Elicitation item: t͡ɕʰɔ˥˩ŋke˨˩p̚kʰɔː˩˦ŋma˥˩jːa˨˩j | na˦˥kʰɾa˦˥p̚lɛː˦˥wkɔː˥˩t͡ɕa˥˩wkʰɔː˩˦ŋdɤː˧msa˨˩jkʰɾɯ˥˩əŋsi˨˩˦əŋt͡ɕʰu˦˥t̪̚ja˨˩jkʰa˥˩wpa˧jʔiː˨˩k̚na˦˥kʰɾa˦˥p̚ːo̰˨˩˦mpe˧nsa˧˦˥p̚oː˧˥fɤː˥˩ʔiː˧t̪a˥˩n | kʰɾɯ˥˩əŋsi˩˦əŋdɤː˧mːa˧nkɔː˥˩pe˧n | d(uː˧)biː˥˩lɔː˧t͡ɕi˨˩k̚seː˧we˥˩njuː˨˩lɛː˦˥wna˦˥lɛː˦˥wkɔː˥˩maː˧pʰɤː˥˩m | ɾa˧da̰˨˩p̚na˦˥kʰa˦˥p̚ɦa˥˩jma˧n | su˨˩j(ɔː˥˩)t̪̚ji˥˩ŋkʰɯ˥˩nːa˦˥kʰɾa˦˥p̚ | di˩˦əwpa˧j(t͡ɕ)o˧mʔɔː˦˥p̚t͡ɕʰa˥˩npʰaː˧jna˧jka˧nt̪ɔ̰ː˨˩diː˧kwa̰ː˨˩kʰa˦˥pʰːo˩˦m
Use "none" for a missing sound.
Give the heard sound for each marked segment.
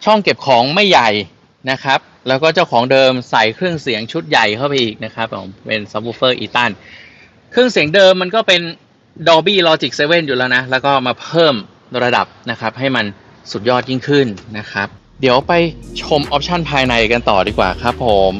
ɔː˧, ɔː˥˩, t͡ɕʰ

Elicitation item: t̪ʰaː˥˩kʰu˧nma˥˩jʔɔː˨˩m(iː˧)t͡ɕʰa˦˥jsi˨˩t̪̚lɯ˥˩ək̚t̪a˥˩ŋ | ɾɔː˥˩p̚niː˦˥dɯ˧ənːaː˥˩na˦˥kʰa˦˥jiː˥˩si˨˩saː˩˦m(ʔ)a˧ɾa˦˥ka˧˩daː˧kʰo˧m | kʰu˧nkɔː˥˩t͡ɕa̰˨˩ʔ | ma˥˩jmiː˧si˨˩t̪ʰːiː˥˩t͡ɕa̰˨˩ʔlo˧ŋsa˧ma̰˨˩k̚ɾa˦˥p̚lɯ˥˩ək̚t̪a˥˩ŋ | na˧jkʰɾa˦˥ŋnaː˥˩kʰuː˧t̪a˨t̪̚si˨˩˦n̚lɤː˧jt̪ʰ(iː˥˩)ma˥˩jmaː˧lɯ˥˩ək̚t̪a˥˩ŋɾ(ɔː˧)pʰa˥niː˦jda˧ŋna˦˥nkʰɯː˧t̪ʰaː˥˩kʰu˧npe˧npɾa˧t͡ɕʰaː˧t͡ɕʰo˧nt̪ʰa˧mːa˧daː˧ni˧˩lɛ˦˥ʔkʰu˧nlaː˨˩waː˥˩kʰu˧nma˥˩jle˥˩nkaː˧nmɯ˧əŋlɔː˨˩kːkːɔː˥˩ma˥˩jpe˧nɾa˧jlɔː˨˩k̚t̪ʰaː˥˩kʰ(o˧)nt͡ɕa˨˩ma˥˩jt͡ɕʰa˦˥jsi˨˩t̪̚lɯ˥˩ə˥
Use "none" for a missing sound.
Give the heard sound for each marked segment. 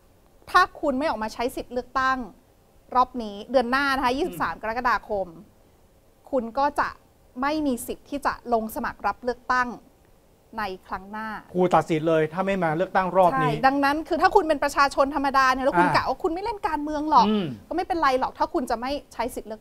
aː˧, k, aː˥˩, ɔː˧˥˩, u˧

